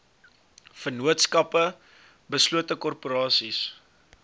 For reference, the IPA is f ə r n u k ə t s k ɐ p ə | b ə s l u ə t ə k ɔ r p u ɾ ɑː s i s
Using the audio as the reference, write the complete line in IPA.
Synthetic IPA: f ə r n u ə t s k ɐ p ə | b ə s l u ə t ə k ɔ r p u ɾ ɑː s i s